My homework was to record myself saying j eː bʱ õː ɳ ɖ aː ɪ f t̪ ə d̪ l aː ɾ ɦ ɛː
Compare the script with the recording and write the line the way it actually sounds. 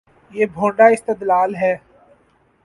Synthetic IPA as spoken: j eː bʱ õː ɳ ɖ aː ɪ s t̪ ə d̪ l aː l ɦ ɛː